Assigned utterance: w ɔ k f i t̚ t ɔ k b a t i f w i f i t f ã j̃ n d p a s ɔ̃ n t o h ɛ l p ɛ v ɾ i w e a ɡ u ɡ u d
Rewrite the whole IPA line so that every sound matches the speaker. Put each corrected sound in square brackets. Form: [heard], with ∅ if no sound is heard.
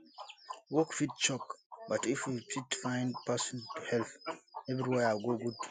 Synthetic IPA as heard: w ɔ k f i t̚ [t͡ʃ] ɔ k b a t i f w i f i t f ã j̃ n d p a s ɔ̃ n t [u] h ɛ l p ɛ v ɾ i w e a ɡ [o] ɡ u d